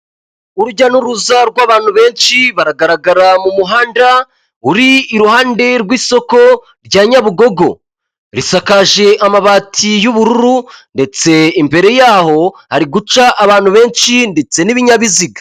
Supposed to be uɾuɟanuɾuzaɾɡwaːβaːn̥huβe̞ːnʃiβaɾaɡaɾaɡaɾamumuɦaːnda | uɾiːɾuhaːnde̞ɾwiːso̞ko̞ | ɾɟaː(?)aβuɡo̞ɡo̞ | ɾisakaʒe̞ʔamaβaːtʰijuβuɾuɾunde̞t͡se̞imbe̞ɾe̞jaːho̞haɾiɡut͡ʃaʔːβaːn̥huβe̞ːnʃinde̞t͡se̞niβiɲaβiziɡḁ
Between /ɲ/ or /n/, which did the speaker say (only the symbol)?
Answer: ɲ